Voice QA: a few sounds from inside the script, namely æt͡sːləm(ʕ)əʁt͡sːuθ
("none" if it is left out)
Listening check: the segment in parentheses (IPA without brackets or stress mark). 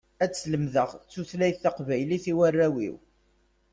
ð